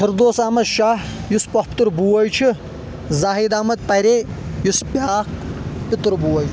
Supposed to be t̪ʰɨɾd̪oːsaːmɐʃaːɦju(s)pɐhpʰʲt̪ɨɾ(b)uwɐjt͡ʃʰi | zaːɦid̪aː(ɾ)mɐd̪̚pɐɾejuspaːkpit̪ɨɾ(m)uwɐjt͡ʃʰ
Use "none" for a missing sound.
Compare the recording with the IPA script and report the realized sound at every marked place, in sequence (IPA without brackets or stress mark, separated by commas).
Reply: s, b, none, b